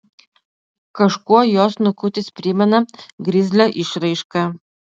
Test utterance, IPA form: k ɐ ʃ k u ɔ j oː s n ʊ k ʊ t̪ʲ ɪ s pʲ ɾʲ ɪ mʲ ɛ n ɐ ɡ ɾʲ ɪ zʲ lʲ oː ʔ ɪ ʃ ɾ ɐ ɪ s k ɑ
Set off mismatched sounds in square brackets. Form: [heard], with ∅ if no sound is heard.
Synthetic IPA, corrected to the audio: k ɐ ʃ k u ɔ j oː s n ʊ k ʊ t̪ʲ ɪ s pʲ ɾʲ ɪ mʲ ɛ n ɐ ɡ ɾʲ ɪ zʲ lʲ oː ʔ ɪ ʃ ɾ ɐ ɪ [ʃ] k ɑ